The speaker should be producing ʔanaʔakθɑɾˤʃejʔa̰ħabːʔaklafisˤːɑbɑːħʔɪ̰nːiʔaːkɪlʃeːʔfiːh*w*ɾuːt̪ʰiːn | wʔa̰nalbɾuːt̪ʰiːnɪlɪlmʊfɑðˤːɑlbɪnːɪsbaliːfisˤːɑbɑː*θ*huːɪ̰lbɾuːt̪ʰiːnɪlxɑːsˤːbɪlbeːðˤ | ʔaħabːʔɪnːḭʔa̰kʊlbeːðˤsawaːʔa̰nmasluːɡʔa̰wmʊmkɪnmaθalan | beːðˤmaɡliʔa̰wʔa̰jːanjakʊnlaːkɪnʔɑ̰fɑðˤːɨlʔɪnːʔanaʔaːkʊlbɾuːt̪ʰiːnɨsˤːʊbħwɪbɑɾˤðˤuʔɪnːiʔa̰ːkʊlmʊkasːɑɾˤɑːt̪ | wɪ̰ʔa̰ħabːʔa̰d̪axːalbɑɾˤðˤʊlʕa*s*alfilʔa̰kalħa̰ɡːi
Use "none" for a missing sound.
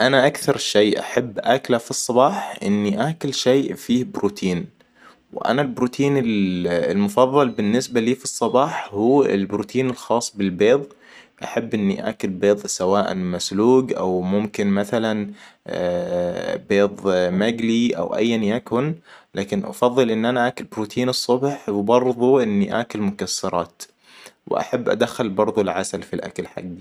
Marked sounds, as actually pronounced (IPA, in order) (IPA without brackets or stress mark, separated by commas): b, ħ, s